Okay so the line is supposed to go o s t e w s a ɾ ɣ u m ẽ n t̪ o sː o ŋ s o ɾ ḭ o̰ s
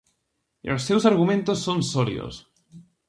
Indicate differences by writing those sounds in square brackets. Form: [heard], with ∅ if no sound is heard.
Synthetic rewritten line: o s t e w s a ɾ ɣ u m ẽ n t̪ o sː o [n] s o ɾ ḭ o̰ s